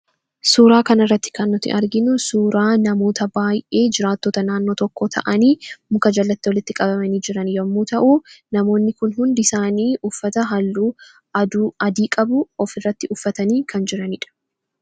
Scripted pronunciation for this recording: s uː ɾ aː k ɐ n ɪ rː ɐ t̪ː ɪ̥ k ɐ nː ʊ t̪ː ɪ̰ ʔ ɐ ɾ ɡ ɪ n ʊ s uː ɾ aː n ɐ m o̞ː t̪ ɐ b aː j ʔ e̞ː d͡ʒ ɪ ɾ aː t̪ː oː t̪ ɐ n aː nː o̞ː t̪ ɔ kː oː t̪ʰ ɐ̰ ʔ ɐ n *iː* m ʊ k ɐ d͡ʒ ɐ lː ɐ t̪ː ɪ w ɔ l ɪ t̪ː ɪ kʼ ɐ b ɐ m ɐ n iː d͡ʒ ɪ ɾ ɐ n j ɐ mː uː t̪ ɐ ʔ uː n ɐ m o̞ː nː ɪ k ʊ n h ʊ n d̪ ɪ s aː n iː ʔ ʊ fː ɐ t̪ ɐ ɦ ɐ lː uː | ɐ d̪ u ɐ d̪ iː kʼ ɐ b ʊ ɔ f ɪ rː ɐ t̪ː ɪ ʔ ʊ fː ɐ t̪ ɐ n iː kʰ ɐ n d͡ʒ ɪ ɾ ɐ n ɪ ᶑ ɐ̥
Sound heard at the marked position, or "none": iː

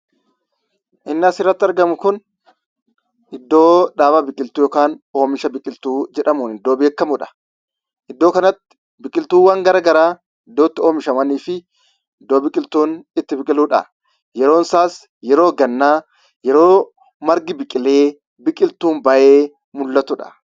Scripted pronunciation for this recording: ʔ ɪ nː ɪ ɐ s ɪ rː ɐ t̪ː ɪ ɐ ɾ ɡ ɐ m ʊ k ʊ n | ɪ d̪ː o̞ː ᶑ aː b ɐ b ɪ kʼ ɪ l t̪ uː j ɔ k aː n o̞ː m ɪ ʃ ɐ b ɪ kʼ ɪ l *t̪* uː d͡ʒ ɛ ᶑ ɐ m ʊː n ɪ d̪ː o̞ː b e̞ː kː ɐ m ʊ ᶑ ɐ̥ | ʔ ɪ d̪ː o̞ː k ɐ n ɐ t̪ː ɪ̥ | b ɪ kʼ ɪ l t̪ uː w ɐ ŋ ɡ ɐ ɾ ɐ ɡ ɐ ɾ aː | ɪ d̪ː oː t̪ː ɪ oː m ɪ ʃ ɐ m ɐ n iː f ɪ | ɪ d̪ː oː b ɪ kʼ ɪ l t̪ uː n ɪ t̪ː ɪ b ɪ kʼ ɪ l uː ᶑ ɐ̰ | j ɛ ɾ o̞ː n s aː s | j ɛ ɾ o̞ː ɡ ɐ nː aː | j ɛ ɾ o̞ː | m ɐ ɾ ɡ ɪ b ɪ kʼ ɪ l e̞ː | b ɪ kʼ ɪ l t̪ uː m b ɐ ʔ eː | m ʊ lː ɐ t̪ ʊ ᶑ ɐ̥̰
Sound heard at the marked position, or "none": t̪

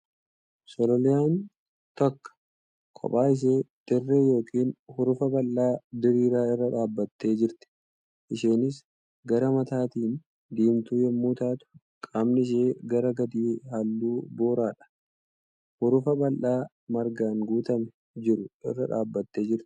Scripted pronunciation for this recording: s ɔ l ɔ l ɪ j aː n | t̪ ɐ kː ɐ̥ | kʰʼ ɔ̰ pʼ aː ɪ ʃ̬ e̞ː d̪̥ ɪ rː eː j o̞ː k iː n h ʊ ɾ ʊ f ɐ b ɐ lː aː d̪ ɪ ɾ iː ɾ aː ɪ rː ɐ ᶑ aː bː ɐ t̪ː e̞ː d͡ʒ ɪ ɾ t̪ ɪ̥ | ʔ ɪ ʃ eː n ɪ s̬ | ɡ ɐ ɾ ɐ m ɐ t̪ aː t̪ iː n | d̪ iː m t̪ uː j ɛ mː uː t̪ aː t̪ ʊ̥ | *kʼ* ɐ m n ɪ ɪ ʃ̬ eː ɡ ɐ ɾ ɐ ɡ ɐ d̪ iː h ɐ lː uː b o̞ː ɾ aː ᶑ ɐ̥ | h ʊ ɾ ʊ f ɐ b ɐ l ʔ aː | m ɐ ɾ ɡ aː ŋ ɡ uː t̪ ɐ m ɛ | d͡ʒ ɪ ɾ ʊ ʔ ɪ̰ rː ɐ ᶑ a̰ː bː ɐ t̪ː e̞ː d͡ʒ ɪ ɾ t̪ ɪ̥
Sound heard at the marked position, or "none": kʼ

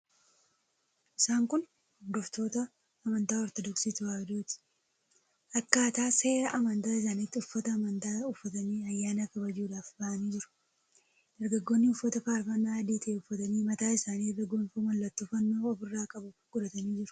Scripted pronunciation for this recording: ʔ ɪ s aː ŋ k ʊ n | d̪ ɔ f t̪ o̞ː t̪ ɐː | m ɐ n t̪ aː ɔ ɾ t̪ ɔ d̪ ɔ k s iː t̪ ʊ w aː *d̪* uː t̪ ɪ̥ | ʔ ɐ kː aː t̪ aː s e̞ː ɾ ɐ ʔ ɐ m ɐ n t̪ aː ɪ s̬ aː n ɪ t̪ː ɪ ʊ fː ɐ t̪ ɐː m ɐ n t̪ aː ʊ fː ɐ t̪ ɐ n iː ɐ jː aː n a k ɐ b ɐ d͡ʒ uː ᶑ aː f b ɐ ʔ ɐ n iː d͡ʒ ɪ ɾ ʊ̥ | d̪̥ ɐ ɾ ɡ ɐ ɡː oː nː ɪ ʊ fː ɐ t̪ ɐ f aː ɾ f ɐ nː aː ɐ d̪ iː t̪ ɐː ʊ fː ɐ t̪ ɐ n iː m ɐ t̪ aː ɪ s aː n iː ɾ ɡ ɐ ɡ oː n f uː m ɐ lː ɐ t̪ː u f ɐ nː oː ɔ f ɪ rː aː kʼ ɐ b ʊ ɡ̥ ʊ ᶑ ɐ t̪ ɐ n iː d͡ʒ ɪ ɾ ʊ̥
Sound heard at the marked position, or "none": d̪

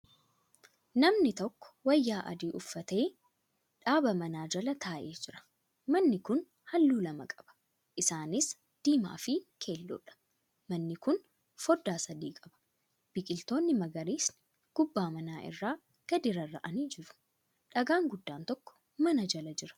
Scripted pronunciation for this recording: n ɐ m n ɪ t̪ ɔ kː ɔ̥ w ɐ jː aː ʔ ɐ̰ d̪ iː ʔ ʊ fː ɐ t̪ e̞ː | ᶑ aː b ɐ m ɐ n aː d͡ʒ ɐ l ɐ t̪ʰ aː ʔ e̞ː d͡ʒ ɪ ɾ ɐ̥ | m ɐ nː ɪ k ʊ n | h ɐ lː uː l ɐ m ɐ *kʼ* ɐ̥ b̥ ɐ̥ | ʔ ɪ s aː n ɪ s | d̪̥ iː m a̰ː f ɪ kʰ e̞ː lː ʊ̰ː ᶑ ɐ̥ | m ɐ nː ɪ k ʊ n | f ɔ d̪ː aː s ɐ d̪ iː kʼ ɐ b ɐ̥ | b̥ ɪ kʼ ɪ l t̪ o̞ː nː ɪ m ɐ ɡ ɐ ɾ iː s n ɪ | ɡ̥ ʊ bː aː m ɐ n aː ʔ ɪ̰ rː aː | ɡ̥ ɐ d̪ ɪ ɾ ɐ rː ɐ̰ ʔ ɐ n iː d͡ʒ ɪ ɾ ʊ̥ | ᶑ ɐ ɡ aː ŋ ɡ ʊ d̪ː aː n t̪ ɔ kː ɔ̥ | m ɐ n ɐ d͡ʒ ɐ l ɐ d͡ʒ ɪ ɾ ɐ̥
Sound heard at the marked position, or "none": kʼ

